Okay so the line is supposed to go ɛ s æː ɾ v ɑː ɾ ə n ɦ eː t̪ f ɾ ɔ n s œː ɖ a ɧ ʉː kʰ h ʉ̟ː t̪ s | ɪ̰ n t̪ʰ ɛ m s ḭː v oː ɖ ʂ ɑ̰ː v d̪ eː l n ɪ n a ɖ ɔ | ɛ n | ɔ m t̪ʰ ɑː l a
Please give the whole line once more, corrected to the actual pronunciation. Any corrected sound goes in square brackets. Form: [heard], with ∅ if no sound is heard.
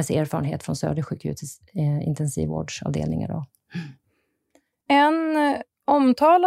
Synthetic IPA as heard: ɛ s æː ɾ [f] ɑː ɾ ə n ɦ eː t̪ f ɾ ɔ n s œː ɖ [ə] ɧ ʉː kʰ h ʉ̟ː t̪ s | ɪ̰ n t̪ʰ ɛ [n] s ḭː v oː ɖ ʂ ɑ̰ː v d̪ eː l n ɪ [ŋ] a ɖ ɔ | ɛ n | ɔ m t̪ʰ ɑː l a